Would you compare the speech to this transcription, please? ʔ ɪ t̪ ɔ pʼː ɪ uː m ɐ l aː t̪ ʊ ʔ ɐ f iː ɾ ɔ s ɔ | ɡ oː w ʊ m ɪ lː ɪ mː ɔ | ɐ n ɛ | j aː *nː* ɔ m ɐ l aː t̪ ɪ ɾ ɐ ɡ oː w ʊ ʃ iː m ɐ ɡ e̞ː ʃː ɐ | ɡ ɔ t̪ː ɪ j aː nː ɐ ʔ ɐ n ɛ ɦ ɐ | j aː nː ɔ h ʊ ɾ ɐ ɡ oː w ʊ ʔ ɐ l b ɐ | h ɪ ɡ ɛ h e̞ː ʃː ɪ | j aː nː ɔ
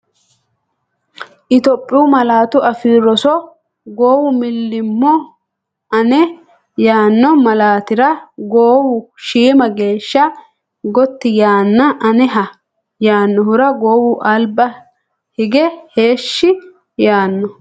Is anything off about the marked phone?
no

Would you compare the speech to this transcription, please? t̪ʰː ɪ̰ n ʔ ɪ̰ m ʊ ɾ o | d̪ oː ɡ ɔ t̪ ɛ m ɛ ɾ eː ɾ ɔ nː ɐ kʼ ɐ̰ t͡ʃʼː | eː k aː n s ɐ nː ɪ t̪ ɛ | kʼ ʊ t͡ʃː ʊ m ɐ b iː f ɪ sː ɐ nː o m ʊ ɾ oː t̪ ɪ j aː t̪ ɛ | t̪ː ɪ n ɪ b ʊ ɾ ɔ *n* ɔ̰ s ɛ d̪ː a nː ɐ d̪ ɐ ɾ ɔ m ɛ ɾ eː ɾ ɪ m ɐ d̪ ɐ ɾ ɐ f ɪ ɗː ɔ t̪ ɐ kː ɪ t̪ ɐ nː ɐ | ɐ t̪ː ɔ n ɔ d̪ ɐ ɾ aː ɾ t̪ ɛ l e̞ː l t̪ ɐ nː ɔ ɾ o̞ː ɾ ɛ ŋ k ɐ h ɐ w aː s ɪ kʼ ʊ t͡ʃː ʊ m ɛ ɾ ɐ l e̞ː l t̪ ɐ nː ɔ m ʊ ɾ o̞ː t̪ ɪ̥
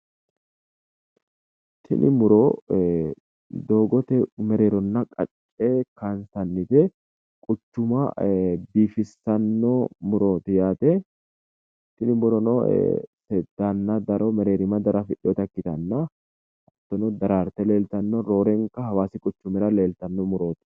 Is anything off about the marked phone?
no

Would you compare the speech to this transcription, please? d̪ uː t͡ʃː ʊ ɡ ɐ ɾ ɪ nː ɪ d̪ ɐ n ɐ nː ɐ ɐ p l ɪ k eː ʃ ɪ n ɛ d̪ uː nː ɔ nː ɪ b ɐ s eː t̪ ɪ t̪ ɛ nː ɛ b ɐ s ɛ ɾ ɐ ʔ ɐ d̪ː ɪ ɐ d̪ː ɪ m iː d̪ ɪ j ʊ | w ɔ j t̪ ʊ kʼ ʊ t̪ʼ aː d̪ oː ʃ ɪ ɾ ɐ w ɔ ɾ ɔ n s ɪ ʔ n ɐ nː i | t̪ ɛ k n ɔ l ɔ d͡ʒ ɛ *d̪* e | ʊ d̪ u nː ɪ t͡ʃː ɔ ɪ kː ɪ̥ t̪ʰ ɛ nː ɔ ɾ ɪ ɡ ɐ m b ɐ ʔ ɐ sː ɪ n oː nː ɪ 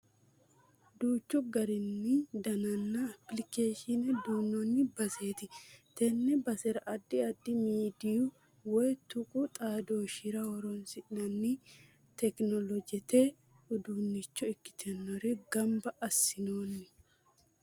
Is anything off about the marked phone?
yes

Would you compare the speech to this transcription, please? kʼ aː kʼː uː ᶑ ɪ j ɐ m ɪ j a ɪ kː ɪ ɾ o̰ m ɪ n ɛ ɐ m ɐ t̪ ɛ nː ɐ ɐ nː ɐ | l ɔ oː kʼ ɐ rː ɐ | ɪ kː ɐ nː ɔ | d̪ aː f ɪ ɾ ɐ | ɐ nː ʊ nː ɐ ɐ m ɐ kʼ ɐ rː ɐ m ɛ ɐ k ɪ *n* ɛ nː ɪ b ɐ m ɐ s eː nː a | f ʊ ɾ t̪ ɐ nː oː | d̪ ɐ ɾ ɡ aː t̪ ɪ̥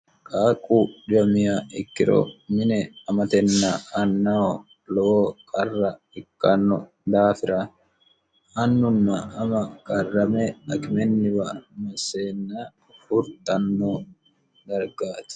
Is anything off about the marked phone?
yes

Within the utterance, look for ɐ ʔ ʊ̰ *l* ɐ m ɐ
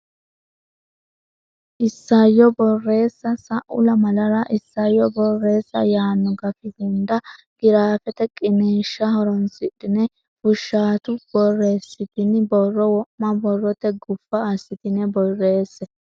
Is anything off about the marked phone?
no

